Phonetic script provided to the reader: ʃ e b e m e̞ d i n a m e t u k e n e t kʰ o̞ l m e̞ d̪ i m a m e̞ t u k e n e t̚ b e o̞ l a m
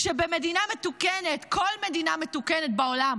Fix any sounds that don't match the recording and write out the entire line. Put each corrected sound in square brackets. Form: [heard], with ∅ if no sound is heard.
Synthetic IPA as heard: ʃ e b e m e̞ d i n a m e t u k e n e t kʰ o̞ l m e̞ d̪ i [n] a m e̞ t u k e n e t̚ b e o̞ l a m